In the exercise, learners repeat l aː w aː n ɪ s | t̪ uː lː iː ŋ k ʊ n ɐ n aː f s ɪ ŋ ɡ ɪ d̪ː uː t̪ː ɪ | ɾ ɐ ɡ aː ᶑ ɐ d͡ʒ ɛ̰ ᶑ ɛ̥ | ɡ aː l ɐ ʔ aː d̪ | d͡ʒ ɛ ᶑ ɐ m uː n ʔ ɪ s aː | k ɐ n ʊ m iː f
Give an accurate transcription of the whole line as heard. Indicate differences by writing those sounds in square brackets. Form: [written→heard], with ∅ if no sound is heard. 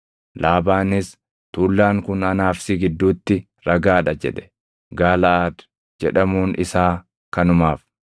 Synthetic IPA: l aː [w→b] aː n ɪ s | t̪ uː lː [iː→aː] ŋ k ʊ n ɐ n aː f s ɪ [ŋ→∅] ɡ ɪ d̪ː uː t̪ː ɪ | ɾ ɐ ɡ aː ᶑ ɐ d͡ʒ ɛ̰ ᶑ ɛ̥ | ɡ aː l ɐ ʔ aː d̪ | d͡ʒ ɛ ᶑ ɐ m uː n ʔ ɪ s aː | k ɐ n ʊ m [iː→aː] f